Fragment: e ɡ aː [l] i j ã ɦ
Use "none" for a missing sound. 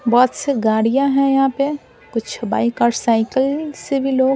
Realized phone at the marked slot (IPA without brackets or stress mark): ɽ